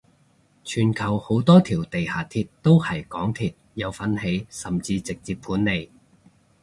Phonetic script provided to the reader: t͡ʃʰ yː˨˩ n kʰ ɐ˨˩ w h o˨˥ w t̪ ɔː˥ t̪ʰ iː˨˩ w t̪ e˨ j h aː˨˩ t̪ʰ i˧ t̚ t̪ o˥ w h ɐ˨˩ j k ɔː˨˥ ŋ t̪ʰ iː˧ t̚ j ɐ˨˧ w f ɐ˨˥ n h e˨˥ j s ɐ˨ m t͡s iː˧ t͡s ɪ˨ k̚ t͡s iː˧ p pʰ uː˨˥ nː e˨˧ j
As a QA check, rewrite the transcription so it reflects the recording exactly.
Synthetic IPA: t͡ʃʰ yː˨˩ n kʰ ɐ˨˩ w h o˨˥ w t̪ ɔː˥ t̪ʰ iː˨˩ w t̪ e˨ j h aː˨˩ t̪ʰ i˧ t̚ t̪ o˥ w h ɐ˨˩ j k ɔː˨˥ ŋ t̪ʰ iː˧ t̚ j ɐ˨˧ w f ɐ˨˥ n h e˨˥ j s ɐ˨ m t͡s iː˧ t͡s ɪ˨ k̚ t͡s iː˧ p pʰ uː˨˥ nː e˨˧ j